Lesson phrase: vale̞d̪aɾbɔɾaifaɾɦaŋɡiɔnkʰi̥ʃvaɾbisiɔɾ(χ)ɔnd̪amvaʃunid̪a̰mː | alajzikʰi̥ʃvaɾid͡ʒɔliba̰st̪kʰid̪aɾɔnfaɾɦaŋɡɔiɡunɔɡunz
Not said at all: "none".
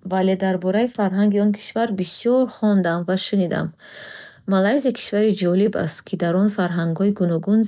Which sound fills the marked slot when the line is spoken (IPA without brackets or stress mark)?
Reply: χ